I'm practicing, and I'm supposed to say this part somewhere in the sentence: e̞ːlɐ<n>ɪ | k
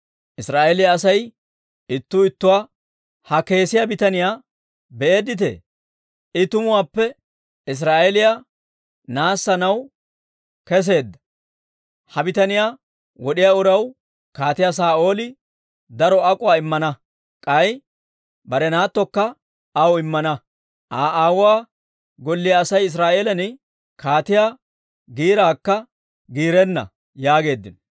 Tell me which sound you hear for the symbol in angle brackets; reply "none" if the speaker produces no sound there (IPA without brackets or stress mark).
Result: n